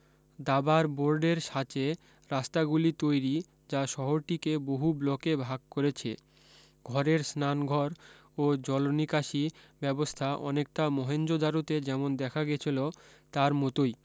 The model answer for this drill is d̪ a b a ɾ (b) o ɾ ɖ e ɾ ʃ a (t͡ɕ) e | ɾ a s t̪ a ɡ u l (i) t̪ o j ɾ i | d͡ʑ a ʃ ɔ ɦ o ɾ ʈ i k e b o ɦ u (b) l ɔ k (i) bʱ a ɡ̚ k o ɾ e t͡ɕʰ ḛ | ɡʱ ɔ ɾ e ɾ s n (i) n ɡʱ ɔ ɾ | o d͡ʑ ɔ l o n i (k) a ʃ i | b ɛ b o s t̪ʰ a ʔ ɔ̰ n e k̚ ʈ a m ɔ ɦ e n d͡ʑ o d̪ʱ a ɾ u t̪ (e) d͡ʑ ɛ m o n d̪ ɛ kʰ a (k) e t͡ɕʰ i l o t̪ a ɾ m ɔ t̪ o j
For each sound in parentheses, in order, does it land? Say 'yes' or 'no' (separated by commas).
yes, yes, yes, yes, no, no, yes, yes, no